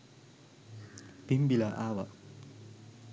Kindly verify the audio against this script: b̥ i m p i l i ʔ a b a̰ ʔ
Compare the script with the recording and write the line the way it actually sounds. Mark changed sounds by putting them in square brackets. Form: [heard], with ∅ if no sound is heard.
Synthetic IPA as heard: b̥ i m [b] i l [a] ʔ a [w] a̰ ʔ